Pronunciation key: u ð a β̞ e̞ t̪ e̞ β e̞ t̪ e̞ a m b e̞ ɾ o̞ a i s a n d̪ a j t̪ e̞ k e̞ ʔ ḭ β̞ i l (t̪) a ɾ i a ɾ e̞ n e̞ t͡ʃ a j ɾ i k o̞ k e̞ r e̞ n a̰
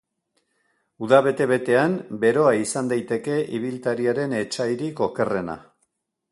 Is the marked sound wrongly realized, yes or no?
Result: no